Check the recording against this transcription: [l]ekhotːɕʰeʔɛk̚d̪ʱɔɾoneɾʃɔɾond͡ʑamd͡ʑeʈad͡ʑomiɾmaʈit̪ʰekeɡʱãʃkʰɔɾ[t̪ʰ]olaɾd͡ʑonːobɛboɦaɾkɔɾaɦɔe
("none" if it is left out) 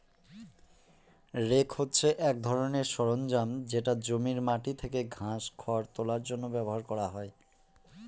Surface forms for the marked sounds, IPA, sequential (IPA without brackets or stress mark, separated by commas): ɾ, t̪